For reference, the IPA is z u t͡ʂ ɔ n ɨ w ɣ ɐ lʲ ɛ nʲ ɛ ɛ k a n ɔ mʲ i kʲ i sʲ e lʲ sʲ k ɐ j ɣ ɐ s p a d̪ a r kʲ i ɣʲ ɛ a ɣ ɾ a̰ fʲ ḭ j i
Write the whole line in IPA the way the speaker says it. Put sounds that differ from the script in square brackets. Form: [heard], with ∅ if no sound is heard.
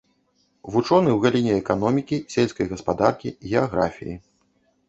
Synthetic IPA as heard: [v] u t͡ʂ ɔ n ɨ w ɣ [a] lʲ [i] nʲ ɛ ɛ k a n ɔ mʲ i kʲ i sʲ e lʲ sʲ k ɐ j ɣ ɐ s p a d̪ a r kʲ i ɣʲ ɛ a ɣ ɾ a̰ fʲ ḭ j i